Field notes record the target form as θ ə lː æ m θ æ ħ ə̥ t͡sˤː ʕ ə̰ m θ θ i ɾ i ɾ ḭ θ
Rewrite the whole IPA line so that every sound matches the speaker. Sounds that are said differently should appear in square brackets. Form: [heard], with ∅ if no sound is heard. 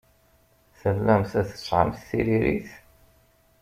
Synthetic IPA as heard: θ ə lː æ m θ æ [θ] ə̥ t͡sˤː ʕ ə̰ m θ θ i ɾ i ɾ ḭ θ